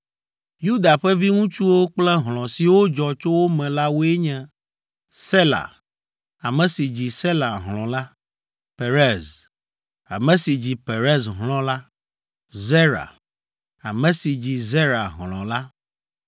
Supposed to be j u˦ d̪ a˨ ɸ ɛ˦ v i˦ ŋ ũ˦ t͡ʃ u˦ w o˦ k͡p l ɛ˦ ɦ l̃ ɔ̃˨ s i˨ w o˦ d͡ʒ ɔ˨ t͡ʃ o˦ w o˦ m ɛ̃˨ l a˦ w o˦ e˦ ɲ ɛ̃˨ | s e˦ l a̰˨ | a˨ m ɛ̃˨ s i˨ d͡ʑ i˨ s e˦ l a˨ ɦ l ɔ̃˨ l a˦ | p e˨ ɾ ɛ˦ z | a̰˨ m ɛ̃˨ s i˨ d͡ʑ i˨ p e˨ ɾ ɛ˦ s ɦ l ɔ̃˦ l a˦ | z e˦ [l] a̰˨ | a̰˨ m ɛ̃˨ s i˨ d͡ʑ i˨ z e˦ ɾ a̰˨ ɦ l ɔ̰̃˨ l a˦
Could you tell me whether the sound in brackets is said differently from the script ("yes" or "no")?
yes